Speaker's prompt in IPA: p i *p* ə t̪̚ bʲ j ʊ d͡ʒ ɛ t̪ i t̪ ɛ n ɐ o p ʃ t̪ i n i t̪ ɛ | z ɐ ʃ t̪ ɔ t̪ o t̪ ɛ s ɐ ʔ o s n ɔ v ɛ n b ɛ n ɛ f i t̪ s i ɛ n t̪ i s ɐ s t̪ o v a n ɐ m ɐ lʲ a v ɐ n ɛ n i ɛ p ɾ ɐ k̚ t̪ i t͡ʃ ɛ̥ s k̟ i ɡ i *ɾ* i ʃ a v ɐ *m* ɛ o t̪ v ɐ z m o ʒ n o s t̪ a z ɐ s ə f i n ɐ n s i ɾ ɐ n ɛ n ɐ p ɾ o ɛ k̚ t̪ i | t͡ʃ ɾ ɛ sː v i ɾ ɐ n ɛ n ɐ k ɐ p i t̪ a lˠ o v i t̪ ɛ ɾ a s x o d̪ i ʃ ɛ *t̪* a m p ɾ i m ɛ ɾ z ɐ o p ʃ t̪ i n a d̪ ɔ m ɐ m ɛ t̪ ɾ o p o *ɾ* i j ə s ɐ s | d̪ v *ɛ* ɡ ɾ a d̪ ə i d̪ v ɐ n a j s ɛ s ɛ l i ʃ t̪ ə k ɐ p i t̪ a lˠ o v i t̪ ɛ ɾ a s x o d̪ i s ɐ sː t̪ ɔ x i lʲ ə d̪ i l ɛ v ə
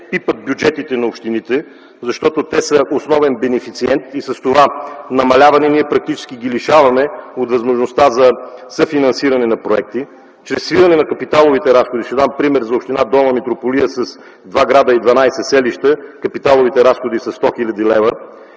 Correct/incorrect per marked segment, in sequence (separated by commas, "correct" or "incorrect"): correct, incorrect, correct, incorrect, incorrect, incorrect